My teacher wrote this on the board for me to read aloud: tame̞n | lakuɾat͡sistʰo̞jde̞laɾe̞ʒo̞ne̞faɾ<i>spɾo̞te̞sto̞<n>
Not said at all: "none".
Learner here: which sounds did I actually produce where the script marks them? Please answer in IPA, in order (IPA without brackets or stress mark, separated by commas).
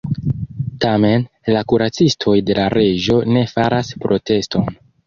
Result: a, n